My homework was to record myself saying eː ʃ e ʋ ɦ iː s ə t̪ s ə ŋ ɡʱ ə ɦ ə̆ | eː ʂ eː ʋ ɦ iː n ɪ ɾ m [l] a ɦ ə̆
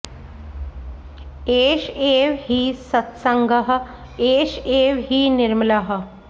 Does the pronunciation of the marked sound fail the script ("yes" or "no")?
no